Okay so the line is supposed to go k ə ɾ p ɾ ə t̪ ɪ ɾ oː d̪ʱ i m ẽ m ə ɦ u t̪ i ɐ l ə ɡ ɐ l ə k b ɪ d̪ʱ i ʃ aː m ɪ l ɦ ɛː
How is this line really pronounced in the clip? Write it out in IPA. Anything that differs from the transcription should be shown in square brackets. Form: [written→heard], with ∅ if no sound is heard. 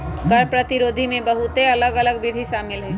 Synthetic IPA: k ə ɾ p ɾ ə t̪ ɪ ɾ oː d̪ʱ i m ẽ [m→b] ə ɦ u t̪ [i→e] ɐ l ə ɡ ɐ l ə [k→ɡ] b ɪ d̪ʱ i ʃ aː m ɪ l ɦ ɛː